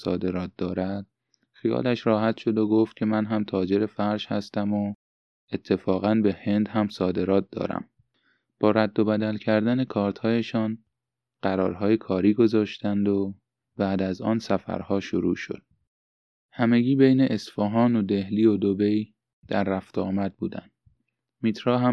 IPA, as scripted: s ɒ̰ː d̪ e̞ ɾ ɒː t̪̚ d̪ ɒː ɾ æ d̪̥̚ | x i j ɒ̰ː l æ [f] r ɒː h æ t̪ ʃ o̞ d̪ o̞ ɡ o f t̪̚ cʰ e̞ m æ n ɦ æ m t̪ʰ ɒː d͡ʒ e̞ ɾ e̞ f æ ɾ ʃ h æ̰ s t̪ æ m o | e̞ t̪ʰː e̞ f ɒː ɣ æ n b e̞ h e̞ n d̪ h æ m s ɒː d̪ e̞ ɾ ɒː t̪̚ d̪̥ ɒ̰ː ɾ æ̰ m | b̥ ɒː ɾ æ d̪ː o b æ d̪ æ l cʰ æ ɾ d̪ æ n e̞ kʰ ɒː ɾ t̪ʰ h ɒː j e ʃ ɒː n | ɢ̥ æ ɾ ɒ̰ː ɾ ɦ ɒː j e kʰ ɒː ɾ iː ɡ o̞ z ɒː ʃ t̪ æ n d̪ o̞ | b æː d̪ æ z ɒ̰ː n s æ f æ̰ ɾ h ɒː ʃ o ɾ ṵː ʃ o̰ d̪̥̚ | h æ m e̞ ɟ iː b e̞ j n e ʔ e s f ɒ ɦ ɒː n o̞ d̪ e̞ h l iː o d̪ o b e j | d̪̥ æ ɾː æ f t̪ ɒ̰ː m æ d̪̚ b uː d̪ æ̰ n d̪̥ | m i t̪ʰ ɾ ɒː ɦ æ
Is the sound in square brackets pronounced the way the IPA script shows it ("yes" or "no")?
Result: no